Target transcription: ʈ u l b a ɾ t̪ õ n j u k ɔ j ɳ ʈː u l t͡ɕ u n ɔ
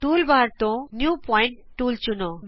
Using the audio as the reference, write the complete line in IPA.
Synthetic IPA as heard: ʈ u l b a ɾ t̪ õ n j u p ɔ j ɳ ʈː u l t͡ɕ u n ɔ